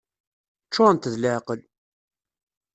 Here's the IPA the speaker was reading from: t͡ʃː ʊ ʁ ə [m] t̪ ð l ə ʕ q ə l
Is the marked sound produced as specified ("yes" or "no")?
no